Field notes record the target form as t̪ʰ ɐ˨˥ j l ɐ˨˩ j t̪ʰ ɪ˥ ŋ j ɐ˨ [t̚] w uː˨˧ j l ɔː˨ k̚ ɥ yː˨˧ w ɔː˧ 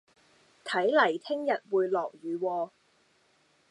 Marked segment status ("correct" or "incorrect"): correct